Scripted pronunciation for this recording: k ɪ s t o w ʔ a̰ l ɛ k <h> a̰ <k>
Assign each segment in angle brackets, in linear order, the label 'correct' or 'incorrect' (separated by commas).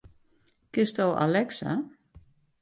incorrect, incorrect